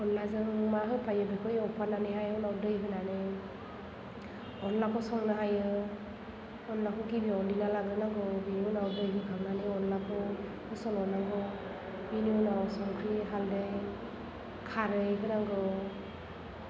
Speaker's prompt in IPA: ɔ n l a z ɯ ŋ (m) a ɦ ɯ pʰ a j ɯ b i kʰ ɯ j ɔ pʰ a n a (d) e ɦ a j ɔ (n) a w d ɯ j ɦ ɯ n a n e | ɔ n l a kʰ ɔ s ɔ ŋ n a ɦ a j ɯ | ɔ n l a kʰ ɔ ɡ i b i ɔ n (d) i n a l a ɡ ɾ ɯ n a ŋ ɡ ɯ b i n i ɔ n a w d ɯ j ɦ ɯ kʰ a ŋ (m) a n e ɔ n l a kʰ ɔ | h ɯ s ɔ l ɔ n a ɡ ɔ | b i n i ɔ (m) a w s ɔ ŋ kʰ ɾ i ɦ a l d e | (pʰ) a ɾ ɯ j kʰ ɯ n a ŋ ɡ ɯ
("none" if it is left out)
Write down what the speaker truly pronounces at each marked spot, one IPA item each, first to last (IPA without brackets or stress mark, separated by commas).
m, n, n, d, n, n, kʰ